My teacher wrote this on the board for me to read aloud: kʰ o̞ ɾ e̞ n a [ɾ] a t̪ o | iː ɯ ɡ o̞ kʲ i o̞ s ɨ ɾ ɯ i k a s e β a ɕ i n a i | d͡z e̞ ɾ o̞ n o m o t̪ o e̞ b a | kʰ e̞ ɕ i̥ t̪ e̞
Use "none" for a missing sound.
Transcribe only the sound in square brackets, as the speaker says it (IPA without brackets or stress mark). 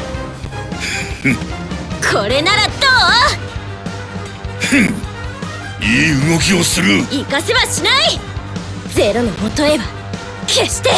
ɾ